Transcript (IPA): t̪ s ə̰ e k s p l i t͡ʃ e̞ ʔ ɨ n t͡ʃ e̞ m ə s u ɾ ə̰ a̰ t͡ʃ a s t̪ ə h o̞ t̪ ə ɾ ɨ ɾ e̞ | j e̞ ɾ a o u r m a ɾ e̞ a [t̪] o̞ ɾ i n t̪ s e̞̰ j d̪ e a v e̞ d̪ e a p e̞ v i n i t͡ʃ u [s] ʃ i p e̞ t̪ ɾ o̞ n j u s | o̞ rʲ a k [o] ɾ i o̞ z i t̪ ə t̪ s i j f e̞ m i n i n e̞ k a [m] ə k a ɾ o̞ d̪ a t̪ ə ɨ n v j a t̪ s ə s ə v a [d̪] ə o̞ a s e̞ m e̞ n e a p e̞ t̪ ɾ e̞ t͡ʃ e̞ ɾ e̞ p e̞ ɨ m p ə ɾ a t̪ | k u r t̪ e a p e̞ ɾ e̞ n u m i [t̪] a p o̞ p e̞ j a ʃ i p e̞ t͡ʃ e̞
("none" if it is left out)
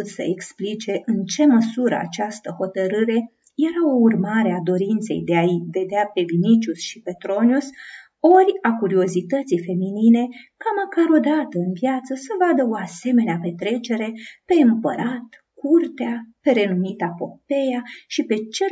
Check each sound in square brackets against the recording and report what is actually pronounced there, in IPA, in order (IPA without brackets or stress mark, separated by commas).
d̪, s, u, m, d̪, t̪